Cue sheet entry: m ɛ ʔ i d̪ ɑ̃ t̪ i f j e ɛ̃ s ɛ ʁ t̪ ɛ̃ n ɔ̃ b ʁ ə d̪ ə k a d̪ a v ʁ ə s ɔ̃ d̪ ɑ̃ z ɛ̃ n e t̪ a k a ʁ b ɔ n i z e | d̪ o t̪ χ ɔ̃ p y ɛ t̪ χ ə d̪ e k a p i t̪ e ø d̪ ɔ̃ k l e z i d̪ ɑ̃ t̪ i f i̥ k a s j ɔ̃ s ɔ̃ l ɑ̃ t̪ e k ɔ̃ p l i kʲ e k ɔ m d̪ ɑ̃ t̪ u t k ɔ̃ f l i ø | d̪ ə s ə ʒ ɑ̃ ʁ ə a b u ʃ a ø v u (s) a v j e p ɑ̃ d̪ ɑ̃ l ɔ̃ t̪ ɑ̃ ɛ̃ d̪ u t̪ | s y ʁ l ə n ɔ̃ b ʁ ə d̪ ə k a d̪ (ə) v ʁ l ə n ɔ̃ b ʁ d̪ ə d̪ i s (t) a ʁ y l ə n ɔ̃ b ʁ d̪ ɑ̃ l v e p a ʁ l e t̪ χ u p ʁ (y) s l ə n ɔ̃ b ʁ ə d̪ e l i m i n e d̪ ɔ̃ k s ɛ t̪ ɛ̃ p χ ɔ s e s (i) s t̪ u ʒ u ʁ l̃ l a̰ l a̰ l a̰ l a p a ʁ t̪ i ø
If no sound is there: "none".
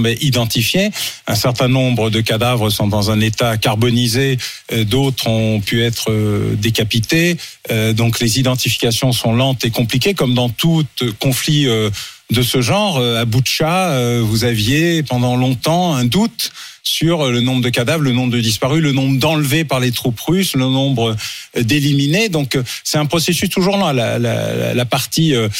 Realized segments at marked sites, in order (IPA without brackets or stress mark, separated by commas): z, a, p, y, y